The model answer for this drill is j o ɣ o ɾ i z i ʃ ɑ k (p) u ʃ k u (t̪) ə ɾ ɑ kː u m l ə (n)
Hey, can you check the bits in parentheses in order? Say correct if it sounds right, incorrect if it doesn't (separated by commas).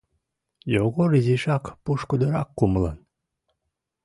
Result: correct, incorrect, correct